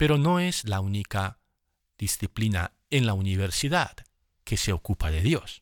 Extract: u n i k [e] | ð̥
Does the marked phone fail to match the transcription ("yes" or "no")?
yes